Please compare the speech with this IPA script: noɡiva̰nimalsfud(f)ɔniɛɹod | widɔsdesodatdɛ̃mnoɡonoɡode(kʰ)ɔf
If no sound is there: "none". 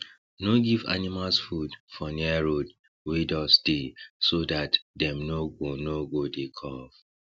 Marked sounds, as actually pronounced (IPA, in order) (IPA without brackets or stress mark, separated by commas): f, kʰ